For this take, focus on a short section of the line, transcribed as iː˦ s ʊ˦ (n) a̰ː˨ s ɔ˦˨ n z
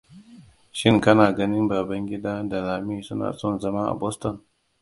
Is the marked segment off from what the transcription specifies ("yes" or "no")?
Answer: no